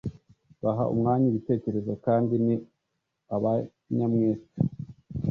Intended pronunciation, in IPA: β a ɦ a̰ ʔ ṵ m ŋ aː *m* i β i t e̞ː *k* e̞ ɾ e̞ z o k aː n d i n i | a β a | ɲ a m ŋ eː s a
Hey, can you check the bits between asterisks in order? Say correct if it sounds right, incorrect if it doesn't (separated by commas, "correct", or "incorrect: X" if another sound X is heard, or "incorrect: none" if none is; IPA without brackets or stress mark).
incorrect: ɲ, incorrect: c